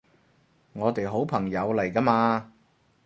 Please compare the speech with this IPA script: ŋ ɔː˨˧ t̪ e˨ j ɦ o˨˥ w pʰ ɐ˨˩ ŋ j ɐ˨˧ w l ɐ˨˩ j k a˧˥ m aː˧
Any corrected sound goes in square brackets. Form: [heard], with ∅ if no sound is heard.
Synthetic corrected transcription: ŋ ɔː˨˧ t̪ e˨ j ɦ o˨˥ w pʰ ɐ˨˩ ŋ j ɐ˨˧ w l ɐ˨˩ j k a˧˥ m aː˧